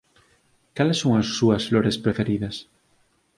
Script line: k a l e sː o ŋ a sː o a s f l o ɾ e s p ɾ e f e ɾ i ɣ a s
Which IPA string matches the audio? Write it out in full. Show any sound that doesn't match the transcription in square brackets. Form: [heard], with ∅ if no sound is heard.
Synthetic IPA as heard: k a l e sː o ŋ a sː [u] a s f l o ɾ e s p ɾ e f e ɾ i [ð] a s